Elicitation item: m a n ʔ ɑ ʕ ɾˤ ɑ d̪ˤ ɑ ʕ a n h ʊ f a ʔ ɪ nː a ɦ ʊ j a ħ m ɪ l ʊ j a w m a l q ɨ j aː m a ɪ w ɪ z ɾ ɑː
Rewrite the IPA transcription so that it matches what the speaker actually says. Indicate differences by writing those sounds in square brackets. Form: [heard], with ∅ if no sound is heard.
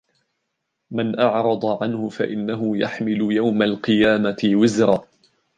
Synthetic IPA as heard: m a n ʔ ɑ ʕ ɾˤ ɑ d̪ˤ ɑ ʕ a n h ʊ f a ʔ ɪ nː a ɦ ʊ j a ħ m ɪ l ʊ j a w m a l q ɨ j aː m a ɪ w ɪ z ɾ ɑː